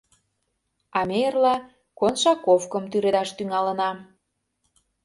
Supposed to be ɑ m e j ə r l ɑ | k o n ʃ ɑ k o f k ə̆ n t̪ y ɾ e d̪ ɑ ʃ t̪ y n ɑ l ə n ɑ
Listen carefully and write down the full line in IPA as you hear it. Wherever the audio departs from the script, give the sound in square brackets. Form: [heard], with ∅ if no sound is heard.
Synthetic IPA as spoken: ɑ m e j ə r l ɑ | k o n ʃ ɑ k o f k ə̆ [m] t̪ y ɾ e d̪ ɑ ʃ t̪ y [ŋ] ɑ l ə n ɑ